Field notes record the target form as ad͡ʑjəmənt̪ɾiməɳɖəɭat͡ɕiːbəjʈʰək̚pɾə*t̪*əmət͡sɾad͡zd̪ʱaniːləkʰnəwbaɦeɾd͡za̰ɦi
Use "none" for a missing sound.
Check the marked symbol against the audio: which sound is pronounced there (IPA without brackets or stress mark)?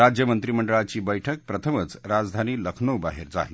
t̪ʰ